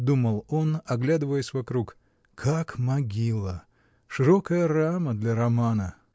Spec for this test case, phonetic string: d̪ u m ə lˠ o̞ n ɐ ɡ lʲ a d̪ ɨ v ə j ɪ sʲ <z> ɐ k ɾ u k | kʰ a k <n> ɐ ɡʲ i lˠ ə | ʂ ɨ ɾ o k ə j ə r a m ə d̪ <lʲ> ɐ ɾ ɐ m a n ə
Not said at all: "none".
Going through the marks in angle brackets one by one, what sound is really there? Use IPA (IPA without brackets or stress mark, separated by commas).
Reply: v, m, lʲ